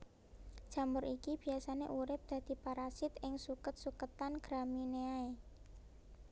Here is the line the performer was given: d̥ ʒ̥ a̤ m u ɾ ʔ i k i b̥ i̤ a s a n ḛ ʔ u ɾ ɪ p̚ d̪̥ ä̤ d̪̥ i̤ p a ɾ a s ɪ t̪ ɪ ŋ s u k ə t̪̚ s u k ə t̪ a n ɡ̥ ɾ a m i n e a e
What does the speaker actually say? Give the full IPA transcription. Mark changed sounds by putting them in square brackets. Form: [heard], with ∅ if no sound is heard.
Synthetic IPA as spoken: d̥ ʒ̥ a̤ m [ʊ] ɾ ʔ i k i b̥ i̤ a s a n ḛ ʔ u ɾ ɪ p̚ d̪̥ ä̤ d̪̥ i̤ p a ɾ a s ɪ t̪ ɪ ŋ s u k ə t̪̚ s u k ə t̪ a n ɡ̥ ɾ a m i n e a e

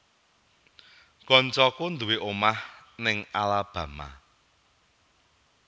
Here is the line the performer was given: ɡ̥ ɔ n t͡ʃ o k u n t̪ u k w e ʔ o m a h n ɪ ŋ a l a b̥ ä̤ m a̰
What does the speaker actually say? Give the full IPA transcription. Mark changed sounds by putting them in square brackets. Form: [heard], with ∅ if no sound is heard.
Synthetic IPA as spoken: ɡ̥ ɔ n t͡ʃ [ɔ] k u n [d̪] u [∅] w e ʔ o m a h n ɪ ŋ a l a b̥ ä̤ m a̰

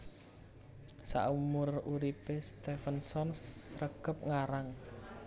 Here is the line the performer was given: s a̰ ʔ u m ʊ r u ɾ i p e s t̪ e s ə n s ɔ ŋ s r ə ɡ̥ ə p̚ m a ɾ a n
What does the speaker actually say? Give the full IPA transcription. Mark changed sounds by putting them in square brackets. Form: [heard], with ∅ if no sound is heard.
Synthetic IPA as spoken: s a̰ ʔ u m ʊ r u ɾ i p e s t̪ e [f] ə n s ɔ [n] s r ə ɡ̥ ə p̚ [ŋ] a ɾ a [ŋ]

